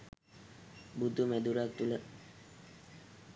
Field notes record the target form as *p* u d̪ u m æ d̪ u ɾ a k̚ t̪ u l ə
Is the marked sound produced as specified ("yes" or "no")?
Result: no